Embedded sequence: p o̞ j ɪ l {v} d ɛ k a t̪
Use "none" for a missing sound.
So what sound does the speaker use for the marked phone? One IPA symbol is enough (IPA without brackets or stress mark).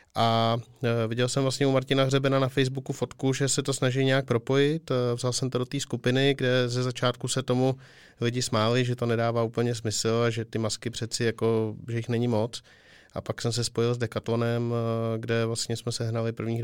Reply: z